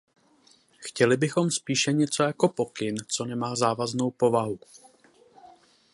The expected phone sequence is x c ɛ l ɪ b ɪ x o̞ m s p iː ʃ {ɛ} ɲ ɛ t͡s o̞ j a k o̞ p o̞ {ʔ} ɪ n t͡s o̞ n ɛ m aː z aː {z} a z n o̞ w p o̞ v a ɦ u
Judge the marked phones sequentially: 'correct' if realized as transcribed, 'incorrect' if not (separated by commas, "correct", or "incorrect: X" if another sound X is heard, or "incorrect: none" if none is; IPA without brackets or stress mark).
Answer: correct, incorrect: k, incorrect: v